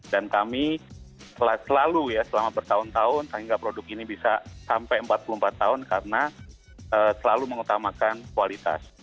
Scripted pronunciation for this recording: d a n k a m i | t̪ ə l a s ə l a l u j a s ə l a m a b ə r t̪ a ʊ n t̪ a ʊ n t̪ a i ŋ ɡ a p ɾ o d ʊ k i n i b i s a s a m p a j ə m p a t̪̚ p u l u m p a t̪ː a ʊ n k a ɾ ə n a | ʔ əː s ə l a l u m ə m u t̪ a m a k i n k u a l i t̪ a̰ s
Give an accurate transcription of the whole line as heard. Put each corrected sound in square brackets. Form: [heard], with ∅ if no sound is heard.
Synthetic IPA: d a n k a m i | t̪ ə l a s ə l a l u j a s ə l a m a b ə r t̪ a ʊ n t̪ a ʊ n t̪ a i ŋ ɡ a p ɾ o d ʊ k i n i b i s a s a m p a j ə m p a t̪̚ p u l u m p a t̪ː a ʊ n k a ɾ ə n a | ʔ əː s ə l a l u m ə [ŋ] u t̪ a m a k [a] n k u a l i t̪ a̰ s